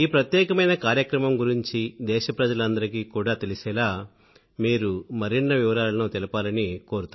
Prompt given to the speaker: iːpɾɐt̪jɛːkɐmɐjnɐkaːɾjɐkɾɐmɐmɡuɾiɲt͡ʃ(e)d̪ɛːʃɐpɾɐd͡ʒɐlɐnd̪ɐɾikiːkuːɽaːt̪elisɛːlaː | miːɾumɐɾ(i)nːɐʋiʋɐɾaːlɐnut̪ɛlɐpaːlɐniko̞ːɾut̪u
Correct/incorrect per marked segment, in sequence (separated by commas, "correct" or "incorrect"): incorrect, correct